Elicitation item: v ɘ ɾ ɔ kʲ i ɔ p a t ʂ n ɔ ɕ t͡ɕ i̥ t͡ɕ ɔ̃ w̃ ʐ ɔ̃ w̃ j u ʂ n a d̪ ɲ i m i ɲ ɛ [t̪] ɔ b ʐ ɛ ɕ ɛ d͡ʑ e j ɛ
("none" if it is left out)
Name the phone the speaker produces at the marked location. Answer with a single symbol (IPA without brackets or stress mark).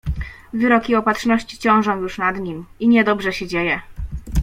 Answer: d̪